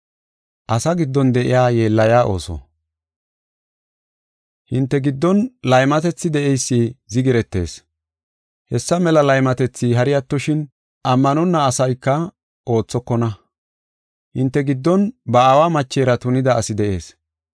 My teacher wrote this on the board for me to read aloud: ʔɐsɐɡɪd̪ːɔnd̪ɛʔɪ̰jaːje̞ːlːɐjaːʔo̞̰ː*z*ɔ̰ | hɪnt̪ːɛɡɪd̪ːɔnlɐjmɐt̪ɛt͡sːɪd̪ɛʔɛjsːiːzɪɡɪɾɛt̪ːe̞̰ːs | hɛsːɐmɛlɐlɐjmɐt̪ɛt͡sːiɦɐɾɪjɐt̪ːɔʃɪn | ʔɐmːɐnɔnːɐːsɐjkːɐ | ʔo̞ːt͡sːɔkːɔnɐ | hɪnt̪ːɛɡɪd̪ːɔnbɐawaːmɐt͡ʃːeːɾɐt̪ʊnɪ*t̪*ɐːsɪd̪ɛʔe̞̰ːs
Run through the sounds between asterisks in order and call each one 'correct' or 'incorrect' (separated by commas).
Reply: incorrect, incorrect